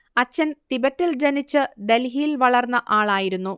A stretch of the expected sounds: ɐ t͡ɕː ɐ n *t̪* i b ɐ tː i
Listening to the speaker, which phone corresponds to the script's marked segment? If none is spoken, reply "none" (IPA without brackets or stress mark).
t̪